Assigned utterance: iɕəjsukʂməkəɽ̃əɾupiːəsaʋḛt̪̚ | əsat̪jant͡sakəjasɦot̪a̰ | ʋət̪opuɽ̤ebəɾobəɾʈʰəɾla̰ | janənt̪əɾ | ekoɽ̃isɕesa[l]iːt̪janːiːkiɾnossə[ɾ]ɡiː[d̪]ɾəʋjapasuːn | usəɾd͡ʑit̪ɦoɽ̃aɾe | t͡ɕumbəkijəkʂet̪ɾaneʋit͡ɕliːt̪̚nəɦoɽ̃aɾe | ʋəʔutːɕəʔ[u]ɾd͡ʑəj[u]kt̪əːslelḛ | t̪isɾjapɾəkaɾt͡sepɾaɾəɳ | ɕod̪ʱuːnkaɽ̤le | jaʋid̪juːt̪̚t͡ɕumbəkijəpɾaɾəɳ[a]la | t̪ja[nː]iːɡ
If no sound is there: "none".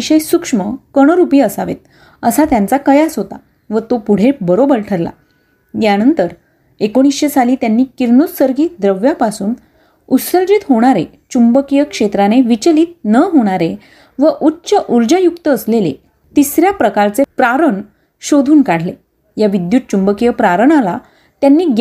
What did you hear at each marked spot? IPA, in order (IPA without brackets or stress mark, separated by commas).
l, ɾ, d̪, u, u, a, nː